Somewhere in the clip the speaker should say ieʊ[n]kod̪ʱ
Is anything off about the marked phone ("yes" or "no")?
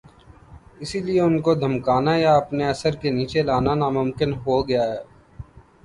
no